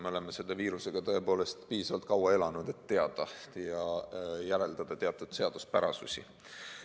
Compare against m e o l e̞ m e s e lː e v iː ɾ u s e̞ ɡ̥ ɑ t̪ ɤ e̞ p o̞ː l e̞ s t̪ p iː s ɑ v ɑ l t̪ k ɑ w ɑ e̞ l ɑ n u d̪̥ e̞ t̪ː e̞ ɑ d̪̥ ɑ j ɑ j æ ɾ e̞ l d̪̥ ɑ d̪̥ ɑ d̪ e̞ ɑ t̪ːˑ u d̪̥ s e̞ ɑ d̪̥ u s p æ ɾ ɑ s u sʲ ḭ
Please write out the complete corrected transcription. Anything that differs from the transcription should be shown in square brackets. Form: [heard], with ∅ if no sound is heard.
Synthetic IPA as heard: m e o l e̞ m e s e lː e v iː ɾ u s e̞ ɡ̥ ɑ t̪ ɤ e̞ p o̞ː l e̞ s t̪ p iː s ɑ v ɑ l t̪ k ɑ w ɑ e̞ l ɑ n u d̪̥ e̞ t̪ː e̞ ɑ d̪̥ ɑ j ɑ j æ ɾ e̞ l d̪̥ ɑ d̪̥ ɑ [t̪] e̞ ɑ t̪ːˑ u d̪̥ s e̞ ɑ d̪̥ u s p æ ɾ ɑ s u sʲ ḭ